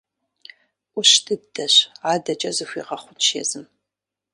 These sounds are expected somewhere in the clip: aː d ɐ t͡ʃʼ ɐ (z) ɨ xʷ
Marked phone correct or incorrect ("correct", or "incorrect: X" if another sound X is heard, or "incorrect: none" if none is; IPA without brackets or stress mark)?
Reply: correct